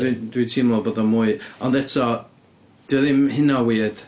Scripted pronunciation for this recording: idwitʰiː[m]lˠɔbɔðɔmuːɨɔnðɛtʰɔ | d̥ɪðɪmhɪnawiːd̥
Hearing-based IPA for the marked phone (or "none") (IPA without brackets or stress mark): m